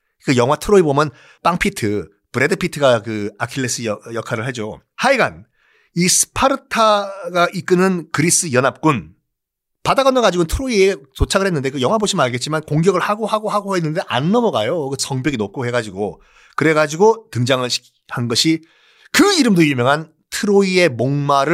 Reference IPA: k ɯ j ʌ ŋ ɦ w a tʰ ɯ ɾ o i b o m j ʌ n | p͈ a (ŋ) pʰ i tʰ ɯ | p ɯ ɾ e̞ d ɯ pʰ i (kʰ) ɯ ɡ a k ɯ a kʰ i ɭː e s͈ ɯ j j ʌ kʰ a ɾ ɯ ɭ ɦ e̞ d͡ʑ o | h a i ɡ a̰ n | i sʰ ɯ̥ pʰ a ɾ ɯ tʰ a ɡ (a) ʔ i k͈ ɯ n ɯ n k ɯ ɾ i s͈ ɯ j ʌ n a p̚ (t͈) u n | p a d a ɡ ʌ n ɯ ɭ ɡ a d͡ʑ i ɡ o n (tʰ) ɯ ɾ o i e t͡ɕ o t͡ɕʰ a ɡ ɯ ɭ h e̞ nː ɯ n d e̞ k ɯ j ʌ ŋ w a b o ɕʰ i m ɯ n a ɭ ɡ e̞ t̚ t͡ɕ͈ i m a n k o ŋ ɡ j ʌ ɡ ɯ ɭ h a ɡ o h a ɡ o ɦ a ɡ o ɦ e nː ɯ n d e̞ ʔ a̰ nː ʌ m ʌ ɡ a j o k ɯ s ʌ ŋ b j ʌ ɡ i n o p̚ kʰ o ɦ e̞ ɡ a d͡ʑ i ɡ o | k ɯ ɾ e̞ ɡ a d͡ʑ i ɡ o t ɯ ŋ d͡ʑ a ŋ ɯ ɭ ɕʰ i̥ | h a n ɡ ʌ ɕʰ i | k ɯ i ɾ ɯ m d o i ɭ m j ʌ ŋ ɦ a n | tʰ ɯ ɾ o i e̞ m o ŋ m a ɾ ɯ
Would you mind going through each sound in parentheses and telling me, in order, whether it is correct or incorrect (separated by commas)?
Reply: correct, incorrect, correct, incorrect, correct